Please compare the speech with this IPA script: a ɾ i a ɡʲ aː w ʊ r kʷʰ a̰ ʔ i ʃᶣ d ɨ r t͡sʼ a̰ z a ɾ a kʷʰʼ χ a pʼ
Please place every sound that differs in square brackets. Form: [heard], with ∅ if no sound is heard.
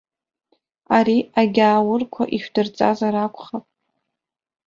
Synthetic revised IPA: a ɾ i a ɡʲ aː w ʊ r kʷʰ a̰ ʔ i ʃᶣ d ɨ r t͡sʼ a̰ z a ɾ a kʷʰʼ χ a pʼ